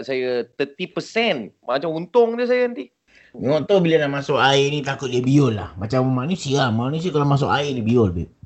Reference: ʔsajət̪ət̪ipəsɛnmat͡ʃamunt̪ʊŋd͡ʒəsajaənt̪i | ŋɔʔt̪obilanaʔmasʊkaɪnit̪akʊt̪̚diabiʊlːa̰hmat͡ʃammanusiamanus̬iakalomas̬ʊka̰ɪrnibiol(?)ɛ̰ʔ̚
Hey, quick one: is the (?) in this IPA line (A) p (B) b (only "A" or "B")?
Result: B